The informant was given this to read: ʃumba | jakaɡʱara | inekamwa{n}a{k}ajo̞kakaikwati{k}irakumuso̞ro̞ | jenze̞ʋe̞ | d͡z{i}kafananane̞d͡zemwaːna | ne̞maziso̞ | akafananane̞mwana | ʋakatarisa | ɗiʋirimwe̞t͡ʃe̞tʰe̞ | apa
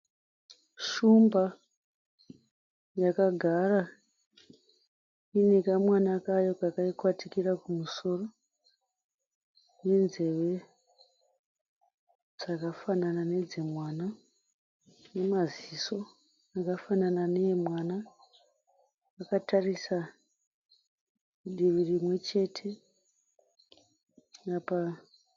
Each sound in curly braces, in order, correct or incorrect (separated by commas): correct, correct, correct, incorrect